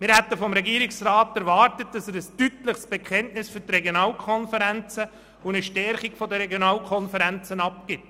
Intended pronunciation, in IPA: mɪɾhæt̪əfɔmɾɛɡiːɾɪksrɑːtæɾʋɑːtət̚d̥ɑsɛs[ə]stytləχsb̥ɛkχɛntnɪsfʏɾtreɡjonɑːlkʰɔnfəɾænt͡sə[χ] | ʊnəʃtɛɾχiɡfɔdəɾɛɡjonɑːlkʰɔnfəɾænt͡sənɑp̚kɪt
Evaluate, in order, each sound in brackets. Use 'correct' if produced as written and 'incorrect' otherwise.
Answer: correct, incorrect

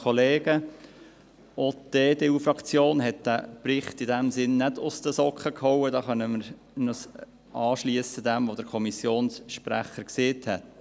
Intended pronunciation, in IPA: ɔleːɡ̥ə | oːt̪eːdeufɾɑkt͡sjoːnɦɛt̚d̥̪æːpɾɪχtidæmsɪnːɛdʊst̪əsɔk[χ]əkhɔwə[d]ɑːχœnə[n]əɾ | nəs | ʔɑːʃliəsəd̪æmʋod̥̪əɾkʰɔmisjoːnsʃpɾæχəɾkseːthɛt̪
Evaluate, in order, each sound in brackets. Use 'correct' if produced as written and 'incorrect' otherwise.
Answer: correct, correct, incorrect

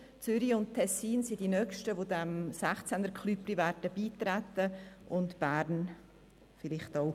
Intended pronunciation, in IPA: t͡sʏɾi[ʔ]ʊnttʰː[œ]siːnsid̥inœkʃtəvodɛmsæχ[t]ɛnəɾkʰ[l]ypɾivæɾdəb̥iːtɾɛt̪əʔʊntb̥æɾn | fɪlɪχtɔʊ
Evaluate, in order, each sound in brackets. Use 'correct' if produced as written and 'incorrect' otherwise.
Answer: incorrect, incorrect, incorrect, correct

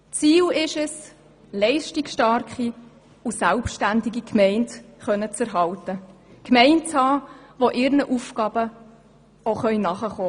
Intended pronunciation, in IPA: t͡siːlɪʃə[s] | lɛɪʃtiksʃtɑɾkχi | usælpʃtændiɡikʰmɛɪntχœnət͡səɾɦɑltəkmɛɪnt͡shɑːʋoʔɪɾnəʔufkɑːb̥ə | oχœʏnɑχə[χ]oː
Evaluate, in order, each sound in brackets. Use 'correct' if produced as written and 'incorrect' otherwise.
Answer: correct, correct

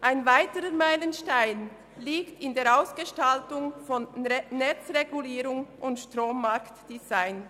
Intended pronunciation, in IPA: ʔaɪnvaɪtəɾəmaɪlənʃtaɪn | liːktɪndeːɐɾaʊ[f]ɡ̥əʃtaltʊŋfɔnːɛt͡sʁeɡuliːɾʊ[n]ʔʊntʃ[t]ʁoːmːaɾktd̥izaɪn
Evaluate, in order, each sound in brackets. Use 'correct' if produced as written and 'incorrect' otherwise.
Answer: incorrect, incorrect, correct

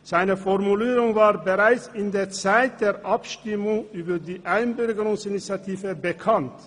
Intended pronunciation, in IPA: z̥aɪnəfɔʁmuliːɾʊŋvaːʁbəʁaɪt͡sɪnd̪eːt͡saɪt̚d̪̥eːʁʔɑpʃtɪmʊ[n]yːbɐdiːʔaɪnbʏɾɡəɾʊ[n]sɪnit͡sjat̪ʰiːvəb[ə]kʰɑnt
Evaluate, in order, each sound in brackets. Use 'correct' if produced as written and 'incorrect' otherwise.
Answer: incorrect, incorrect, correct

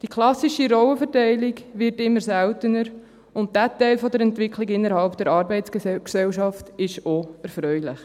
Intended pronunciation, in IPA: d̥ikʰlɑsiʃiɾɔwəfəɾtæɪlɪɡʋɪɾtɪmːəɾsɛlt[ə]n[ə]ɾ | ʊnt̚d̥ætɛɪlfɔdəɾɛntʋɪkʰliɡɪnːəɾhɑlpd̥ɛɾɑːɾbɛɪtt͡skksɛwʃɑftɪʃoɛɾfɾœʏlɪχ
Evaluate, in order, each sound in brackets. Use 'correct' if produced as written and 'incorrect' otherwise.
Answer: correct, correct

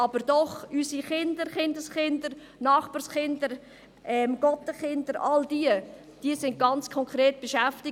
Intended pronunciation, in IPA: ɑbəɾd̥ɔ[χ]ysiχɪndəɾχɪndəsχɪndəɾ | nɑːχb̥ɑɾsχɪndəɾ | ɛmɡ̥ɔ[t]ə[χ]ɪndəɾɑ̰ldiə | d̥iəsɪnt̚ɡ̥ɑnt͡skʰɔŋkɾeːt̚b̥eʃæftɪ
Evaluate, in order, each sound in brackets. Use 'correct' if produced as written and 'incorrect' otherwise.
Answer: correct, correct, correct

